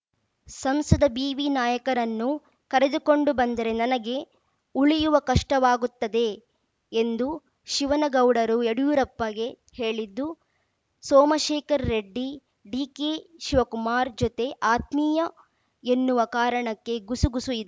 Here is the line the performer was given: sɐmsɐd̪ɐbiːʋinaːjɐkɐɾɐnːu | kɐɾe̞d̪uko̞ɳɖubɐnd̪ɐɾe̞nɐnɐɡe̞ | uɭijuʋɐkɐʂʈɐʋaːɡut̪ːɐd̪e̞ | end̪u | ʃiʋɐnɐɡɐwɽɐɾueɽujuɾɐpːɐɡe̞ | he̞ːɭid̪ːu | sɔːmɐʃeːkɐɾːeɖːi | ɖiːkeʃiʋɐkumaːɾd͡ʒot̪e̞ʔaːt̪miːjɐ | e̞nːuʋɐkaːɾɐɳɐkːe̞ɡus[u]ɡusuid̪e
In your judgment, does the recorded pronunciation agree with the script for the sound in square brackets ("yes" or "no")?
yes